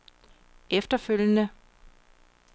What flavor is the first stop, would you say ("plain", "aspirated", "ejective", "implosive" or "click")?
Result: plain